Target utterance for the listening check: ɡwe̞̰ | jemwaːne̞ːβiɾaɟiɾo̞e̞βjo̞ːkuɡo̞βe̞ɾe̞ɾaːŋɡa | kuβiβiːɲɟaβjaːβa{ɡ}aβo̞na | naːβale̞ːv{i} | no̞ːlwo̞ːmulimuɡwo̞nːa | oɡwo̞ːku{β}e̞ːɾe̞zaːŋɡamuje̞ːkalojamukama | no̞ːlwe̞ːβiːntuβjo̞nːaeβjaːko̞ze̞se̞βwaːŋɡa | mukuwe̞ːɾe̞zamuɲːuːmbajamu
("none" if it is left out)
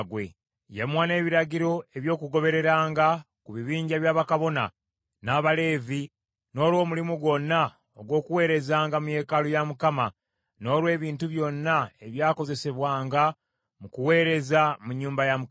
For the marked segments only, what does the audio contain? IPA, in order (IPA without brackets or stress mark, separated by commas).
k, i, w